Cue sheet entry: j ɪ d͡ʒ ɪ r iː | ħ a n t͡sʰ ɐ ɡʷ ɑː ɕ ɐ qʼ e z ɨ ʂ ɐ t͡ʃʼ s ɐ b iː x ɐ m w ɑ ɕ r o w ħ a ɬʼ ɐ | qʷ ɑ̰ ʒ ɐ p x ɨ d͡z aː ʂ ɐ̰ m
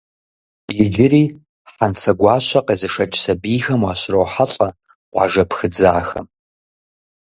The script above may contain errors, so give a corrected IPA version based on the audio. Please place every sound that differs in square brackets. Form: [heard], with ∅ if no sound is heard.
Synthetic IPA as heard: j ɪ d͡ʒ ɪ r iː | ħ a n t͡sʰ ɐ ɡʷ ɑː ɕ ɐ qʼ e z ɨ ʂ ɐ t͡ʃʼ s ɐ b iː x ɐ m w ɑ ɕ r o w ħ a ɬʼ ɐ | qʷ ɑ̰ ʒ ɐ p x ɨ d͡z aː [x] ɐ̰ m